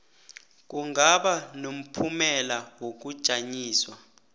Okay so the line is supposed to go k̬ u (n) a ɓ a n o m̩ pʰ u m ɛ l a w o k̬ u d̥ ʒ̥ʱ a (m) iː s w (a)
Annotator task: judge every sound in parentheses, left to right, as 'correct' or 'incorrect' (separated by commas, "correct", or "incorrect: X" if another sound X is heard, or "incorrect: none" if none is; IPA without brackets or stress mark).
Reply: incorrect: ŋ, incorrect: ɲ, correct